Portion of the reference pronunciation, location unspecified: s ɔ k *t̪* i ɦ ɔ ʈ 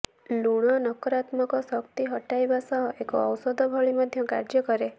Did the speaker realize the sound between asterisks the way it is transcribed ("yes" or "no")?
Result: yes